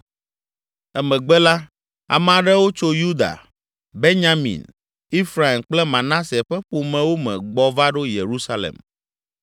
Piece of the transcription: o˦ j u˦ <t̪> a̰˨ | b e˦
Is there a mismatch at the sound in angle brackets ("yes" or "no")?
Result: yes